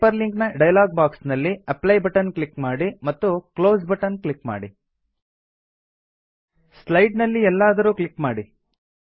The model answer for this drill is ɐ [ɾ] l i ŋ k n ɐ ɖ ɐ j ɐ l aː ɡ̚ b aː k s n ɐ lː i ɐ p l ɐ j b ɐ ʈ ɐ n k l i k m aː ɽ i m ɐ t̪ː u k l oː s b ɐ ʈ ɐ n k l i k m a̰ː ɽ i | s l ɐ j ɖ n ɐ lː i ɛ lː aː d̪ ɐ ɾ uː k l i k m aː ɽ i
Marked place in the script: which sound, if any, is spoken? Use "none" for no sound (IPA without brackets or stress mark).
ɾ